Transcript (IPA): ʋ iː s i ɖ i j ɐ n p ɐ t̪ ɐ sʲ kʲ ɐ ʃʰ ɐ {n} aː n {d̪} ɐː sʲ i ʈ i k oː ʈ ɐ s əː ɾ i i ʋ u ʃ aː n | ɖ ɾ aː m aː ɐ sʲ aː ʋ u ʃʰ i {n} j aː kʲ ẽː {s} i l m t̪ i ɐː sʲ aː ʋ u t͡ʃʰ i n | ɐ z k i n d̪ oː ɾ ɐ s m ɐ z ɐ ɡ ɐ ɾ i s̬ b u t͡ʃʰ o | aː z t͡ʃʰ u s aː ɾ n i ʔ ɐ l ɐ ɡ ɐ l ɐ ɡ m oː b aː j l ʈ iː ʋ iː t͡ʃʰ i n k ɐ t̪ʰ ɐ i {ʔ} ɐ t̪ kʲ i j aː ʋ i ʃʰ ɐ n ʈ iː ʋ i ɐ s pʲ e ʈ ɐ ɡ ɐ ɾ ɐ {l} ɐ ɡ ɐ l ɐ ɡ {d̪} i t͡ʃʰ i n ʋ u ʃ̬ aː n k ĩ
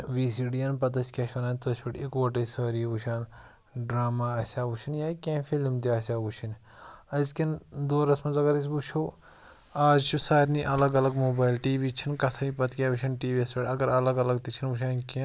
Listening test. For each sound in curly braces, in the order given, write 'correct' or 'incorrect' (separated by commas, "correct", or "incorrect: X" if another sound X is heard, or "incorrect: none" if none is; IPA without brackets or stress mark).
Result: correct, incorrect: t̪, correct, incorrect: f, incorrect: p, correct, incorrect: t̪